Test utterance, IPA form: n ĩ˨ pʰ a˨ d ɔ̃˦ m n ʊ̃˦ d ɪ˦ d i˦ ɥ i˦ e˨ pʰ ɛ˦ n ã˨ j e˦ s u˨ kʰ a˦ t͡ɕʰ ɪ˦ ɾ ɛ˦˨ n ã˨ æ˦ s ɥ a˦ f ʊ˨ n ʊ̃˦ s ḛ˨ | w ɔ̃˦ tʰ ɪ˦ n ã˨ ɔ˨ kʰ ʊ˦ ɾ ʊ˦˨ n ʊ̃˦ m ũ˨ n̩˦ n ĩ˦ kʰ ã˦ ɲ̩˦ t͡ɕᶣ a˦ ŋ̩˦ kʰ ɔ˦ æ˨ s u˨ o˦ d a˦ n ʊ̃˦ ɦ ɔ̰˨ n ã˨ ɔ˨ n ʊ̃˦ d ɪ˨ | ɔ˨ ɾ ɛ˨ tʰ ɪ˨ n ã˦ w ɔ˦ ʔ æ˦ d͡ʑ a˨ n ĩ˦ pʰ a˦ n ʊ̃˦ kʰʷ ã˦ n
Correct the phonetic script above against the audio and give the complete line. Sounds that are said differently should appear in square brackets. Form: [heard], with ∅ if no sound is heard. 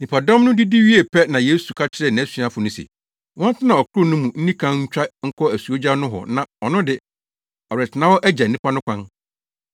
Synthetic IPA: n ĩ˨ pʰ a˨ d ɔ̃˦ m n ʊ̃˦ d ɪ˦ d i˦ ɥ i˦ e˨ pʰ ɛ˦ n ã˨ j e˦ s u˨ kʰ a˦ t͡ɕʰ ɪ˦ ɾ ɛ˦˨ n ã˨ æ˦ s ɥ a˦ f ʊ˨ n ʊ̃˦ s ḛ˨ | w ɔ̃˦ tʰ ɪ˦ n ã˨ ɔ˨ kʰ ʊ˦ ɾ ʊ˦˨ n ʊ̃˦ m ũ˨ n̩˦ n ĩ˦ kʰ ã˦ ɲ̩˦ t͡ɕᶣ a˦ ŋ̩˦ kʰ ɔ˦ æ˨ s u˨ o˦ [d͡ʑ] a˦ n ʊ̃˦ ɦ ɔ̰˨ n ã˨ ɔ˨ n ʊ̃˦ d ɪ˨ | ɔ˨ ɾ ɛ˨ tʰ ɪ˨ n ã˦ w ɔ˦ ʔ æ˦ d͡ʑ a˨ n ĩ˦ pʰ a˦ n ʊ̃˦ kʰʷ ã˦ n